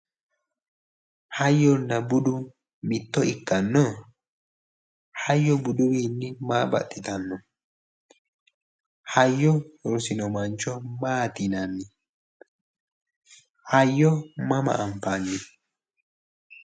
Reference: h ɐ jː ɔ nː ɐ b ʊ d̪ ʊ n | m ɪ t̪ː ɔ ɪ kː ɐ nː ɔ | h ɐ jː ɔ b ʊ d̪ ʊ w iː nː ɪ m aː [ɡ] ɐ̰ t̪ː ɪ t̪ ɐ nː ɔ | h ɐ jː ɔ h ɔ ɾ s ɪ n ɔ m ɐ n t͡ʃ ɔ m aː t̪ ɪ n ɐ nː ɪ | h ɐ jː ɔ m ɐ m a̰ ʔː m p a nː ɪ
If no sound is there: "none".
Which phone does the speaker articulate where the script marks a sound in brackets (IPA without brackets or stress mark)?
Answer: b